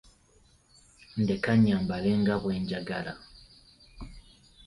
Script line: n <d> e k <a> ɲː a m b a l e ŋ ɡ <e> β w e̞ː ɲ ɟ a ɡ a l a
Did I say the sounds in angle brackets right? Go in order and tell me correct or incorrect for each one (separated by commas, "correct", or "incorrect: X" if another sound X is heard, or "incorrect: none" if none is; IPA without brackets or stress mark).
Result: correct, correct, incorrect: a